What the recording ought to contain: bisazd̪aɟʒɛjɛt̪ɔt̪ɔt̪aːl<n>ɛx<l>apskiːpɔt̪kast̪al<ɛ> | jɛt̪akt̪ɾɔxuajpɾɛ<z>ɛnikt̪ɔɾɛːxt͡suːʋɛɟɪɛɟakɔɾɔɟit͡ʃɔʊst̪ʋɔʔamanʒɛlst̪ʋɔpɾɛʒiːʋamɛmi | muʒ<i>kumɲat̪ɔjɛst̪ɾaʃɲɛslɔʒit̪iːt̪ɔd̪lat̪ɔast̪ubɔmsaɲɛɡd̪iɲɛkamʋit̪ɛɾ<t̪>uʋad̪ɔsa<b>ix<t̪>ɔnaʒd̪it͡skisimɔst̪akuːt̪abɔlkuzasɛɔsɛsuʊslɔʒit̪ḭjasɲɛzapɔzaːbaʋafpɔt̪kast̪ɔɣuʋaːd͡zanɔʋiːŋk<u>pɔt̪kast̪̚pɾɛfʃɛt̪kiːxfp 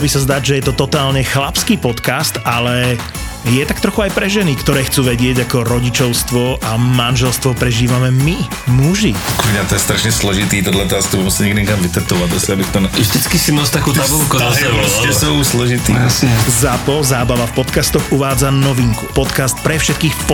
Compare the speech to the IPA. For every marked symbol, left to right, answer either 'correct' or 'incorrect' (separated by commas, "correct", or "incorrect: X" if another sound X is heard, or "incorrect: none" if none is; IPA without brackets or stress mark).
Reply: incorrect: ɲ, correct, correct, incorrect: ʒ, correct, correct, correct, correct, correct